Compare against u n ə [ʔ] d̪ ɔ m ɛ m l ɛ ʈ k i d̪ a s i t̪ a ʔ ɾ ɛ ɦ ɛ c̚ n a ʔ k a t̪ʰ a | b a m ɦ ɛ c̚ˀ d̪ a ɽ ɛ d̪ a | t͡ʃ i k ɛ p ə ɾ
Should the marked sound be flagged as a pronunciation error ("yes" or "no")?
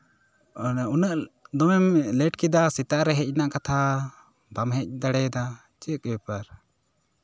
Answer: no